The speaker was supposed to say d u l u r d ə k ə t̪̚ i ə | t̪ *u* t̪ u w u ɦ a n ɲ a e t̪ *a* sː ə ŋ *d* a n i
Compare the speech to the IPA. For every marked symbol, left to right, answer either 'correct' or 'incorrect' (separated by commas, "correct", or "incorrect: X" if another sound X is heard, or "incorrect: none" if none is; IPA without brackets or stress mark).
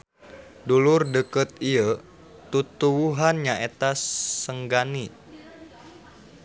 correct, correct, incorrect: ɡ